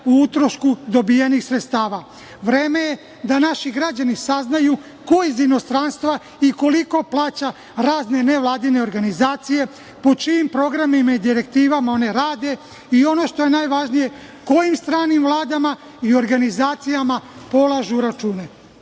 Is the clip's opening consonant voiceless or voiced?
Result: voiceless